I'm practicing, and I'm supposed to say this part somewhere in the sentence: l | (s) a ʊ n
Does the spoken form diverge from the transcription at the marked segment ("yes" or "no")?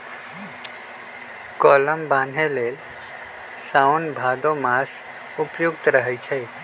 no